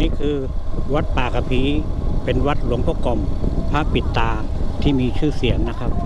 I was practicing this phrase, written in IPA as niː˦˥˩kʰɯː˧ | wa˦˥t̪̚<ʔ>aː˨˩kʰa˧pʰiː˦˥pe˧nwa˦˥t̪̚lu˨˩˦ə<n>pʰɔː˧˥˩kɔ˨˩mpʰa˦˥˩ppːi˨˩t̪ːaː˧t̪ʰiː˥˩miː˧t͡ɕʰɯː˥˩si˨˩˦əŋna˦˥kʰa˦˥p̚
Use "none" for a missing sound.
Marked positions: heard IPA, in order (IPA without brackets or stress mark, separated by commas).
p, ŋ